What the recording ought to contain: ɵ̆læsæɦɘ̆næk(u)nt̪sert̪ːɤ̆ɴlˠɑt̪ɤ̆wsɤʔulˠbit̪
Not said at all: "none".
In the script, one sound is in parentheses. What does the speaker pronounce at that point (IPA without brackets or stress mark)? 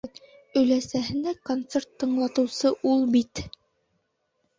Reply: o